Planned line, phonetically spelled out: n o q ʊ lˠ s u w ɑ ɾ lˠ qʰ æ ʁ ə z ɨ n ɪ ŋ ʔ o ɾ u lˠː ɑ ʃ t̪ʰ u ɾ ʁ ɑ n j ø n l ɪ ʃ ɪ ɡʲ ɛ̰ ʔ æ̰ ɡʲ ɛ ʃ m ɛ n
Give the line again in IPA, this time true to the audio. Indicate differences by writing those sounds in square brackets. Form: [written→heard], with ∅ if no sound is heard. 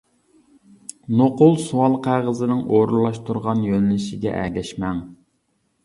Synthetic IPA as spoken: n o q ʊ lˠ s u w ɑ [ɾ→∅] lˠ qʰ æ ʁ ə z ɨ n ɪ ŋ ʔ o ɾ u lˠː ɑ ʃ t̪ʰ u ɾ ʁ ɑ n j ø n l ɪ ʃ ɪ ɡʲ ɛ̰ ʔ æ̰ ɡʲ ɛ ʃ m ɛ [n→ŋ]